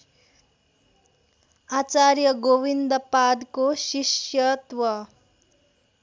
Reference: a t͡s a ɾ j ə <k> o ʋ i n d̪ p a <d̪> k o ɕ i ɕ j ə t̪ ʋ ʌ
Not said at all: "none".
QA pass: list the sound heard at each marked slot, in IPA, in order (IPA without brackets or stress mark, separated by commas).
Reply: ɡ, d̪